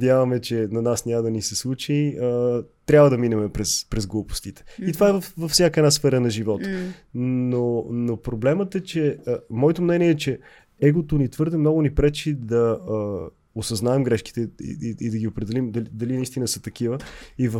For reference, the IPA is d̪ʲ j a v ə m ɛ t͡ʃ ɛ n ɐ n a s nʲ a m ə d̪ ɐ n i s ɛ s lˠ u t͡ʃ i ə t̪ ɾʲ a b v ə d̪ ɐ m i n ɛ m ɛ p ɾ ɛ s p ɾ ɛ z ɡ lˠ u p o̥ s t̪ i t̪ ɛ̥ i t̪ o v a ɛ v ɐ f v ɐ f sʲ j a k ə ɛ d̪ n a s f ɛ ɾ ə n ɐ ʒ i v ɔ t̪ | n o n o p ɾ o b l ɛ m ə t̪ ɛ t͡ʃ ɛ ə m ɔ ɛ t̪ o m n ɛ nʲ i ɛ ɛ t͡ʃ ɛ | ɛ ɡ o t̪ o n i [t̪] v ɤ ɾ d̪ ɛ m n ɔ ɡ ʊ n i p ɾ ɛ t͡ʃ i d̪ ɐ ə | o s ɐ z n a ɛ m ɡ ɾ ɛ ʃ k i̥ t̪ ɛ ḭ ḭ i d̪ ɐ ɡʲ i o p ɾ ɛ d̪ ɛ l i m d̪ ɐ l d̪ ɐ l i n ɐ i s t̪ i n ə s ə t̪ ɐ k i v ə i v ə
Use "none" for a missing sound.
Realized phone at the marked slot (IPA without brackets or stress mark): t̪